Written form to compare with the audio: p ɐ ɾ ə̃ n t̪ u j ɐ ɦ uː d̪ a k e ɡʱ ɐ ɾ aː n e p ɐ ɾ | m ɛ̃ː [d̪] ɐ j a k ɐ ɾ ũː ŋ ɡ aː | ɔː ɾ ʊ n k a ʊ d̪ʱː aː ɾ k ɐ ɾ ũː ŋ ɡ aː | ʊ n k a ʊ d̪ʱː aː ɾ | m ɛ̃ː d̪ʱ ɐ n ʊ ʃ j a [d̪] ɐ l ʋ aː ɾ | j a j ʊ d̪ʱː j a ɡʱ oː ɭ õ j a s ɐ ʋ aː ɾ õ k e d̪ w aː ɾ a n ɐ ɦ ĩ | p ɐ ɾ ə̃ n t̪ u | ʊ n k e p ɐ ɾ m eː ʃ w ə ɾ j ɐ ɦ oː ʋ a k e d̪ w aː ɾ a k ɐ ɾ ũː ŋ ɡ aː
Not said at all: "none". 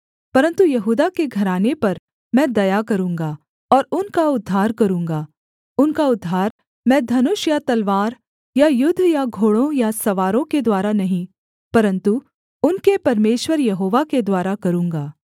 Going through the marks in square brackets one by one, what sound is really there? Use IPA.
d̪, t̪

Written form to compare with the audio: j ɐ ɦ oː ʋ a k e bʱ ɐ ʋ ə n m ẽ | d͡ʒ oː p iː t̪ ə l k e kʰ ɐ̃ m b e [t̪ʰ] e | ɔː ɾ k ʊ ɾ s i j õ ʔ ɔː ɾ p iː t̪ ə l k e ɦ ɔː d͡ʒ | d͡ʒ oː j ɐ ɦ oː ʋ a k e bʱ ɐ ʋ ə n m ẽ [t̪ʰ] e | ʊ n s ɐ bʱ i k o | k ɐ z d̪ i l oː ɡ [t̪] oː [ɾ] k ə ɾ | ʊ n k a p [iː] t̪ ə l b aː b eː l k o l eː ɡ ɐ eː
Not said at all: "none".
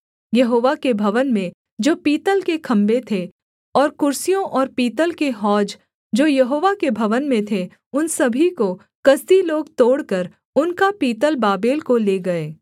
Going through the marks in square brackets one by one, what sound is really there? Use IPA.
t̪ʰ, t̪ʰ, t̪, ɽ, iː

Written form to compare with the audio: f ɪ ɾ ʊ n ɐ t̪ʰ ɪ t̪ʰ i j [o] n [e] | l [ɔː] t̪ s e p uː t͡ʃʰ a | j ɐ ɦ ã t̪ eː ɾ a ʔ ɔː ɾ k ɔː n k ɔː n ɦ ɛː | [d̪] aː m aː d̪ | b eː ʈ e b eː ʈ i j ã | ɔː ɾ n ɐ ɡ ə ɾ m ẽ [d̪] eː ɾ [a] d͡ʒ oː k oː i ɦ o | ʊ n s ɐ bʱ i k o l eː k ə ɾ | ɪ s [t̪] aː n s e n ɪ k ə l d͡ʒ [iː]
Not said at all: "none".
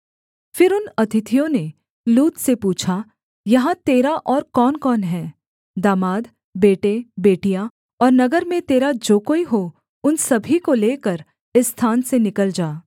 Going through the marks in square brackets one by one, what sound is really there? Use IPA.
õ, e, uː, d̪, t̪, a, t̪ʰ, aː

